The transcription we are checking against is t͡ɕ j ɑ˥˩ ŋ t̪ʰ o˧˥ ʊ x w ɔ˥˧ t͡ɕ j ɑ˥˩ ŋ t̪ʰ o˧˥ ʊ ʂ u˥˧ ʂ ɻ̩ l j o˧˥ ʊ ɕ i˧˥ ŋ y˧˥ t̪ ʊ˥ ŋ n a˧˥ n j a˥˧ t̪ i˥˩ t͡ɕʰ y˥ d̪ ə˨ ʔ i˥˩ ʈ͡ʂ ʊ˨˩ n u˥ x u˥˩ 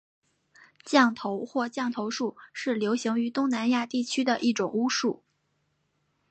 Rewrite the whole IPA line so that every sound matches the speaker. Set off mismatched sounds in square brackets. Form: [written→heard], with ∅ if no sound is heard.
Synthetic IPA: t͡ɕ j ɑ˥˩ ŋ t̪ʰ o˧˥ ʊ x w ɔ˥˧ t͡ɕ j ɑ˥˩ ŋ t̪ʰ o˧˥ ʊ ʂ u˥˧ ʂ ɻ̩ l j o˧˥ ʊ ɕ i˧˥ ŋ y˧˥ t̪ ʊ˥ ŋ n a˧˥ n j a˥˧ t̪ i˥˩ t͡ɕʰ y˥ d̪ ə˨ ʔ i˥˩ ʈ͡ʂ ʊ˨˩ [n→ŋ] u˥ [x→ʂ] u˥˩